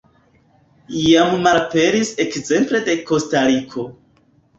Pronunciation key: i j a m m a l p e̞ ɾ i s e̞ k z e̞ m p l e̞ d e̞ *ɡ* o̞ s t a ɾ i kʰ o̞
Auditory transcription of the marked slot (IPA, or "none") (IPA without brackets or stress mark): k